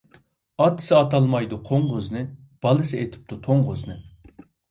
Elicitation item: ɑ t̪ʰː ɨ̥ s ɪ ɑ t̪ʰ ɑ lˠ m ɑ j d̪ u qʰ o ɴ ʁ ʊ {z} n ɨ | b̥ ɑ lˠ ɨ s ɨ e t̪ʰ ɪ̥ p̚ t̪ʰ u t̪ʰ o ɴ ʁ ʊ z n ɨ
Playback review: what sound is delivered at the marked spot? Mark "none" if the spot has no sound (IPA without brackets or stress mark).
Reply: z